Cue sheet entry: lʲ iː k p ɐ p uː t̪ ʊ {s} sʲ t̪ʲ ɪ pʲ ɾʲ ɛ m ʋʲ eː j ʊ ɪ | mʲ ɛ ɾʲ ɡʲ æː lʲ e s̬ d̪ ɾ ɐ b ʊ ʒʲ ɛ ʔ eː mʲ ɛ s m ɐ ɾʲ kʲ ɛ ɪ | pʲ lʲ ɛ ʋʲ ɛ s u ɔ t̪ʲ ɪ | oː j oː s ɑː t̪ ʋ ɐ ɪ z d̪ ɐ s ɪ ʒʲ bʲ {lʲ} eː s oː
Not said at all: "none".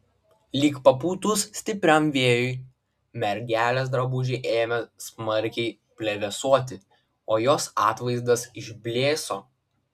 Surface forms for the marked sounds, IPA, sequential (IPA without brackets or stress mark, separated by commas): s, lʲ